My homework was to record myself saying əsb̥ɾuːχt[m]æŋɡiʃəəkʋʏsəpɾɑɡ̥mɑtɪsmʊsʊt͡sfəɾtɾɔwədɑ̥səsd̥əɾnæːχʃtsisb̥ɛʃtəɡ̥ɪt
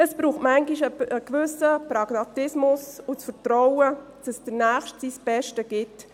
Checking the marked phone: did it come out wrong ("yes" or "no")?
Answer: no